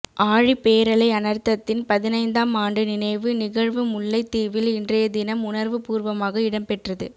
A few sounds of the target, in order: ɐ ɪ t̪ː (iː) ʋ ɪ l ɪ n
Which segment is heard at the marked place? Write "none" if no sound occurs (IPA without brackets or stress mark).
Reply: iː